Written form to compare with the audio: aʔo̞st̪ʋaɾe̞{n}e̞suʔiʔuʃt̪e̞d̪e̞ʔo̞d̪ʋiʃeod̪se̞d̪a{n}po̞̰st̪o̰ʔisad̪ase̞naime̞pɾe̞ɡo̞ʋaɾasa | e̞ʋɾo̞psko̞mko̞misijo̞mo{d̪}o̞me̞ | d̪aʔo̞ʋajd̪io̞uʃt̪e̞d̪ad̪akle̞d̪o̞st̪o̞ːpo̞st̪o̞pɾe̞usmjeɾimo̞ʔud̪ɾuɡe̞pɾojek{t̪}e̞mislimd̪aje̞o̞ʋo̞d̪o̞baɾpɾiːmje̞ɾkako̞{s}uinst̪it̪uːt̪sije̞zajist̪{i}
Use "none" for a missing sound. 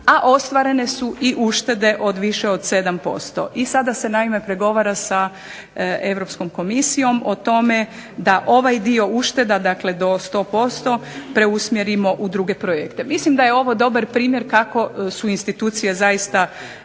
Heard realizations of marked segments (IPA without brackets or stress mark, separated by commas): n, m, t̪, t̪, s, a